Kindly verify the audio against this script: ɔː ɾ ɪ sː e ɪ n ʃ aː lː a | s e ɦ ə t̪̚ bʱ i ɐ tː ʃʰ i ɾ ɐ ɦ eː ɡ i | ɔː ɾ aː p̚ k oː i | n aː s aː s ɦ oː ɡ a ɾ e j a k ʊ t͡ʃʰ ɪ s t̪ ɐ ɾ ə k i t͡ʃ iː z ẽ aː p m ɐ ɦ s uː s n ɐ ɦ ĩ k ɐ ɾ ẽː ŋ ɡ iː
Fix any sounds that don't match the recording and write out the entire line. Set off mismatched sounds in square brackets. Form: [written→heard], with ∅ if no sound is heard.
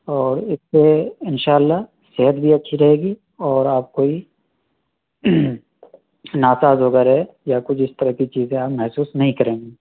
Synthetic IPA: ɔː ɾ ɪ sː e ɪ n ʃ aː lː a | s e ɦ ə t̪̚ bʱ i ɐ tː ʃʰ i ɾ ɐ ɦ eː ɡ i | ɔː ɾ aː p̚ k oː i | n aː s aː [s→z] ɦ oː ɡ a ɾ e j a k ʊ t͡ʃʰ ɪ s t̪ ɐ ɾ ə k i t͡ʃ iː z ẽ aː p m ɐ ɦ s uː s n ɐ ɦ ĩ k ɐ ɾ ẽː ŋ ɡ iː